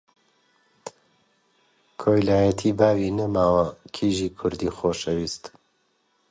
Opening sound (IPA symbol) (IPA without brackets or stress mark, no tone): kʰ